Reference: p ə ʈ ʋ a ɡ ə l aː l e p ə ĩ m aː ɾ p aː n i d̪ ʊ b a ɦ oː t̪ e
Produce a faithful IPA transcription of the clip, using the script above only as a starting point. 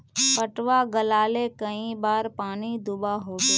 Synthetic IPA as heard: p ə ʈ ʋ a ɡ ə l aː l e k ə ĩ b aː ɾ p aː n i d̪ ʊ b a ɦ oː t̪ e